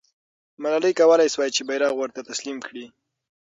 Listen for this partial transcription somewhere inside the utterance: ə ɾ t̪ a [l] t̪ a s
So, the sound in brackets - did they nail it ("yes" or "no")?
no